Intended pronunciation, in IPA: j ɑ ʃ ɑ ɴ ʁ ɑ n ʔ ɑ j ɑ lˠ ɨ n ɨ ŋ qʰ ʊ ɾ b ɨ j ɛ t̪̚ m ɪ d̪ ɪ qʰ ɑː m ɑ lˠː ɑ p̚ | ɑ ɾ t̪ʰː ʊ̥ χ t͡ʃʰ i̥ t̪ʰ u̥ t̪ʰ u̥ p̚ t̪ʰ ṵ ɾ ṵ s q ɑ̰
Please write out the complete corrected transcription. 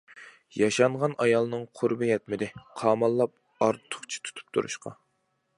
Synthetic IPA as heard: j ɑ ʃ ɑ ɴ ʁ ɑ n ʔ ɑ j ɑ lˠ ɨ n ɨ ŋ qʰ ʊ ɾ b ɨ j ɛ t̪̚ m ɪ d̪ ɪ qʰ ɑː m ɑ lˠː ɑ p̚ | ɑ ɾ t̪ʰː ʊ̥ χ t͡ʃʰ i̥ t̪ʰ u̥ t̪ʰ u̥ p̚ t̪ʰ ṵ ɾ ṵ ʃ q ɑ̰